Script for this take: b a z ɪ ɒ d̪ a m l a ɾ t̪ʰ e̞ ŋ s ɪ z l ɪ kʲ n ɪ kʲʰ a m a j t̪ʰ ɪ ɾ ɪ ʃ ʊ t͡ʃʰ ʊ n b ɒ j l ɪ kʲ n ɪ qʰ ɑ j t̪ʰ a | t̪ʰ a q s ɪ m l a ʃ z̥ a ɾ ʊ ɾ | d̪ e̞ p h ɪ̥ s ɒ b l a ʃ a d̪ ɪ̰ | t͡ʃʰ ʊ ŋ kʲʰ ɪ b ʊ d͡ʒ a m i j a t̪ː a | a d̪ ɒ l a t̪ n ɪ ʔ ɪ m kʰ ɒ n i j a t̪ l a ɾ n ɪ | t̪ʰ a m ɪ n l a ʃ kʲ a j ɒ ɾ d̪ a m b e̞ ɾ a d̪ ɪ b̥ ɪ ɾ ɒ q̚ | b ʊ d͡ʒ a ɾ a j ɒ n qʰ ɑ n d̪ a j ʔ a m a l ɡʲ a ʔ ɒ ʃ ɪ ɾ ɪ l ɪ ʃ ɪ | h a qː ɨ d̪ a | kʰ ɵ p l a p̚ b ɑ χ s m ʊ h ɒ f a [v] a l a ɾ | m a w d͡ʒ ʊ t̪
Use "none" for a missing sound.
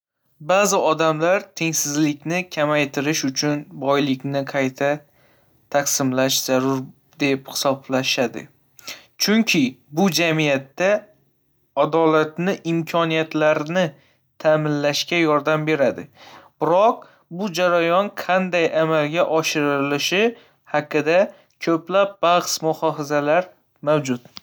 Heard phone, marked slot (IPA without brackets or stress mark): z